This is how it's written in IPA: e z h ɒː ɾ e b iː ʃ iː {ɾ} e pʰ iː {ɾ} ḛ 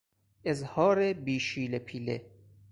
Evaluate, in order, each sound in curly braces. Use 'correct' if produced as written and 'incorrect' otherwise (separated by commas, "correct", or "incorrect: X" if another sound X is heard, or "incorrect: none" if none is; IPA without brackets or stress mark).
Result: incorrect: l, incorrect: l